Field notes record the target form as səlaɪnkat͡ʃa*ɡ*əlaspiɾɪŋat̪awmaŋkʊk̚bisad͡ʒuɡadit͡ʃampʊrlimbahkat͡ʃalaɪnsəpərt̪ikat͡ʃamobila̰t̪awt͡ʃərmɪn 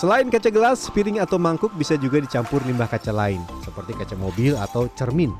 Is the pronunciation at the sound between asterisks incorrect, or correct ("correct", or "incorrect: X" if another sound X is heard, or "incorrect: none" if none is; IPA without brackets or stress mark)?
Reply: correct